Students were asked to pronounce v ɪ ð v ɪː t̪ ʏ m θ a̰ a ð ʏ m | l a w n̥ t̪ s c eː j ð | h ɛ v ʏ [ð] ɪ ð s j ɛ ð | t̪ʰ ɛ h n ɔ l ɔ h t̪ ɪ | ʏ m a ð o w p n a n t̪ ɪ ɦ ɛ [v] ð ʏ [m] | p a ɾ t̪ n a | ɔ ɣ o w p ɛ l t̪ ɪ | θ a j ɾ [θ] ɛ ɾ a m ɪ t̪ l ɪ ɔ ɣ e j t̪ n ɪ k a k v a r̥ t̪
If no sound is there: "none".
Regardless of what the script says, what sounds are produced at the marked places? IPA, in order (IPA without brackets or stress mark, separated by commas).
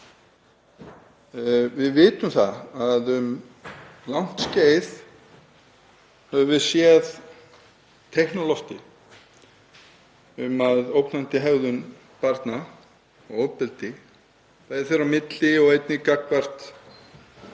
v, ɣ, n, θ